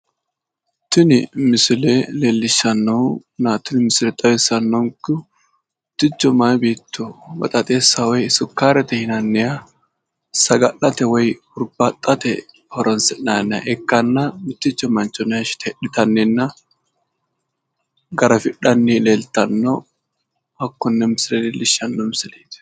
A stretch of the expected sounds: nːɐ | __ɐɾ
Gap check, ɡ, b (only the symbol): ɡ